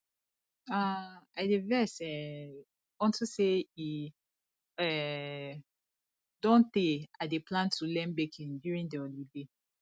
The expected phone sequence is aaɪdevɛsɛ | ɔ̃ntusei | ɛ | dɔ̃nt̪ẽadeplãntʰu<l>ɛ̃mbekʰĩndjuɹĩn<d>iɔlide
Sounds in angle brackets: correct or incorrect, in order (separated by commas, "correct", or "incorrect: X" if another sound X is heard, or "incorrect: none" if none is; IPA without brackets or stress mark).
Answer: correct, correct